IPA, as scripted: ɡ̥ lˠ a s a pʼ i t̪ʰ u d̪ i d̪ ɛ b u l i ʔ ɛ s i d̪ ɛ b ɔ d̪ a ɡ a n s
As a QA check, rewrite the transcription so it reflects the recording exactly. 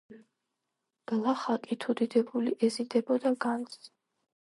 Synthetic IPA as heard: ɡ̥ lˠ a χ a kʼ i t̪ʰ u d̪ i d̪ ɛ b u l i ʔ ɛ z i d̪ ɛ b ɔ d̪ a ɡ a n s

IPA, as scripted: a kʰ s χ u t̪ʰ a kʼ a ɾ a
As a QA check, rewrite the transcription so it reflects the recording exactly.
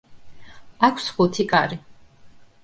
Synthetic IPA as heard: a kʰ s χ u t̪ʰ i kʼ a ɾ i

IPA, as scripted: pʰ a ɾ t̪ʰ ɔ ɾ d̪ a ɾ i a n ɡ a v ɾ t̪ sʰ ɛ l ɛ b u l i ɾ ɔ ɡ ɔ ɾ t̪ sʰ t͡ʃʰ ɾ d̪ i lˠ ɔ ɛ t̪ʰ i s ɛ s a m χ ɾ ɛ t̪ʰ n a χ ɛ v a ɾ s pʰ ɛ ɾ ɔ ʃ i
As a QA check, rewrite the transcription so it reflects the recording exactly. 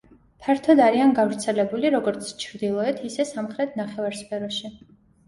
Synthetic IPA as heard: pʰ a ɾ t̪ʰ ɔ d̪ a ɾ i a n ɡ a v ɾ t̪ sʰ ɛ l ɛ b u l i ɾ ɔ ɡ ɔ ɾ t̪ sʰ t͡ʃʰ ɾ d̪ i lˠ ɔ ɛ t̪ʰ i s ɛ s a m χ ɾ ɛ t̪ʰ n a χ ɛ v a ɾ s pʰ ɛ ɾ ɔ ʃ i

